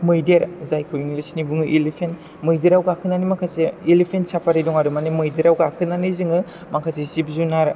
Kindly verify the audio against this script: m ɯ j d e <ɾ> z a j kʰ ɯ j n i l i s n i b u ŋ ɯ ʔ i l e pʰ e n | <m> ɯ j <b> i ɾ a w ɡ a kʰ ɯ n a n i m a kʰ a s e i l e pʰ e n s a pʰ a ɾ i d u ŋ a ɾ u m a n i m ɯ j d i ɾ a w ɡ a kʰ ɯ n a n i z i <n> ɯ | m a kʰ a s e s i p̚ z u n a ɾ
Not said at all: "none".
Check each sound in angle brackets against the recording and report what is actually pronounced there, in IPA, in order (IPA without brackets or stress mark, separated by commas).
ɾ, m, d, ŋ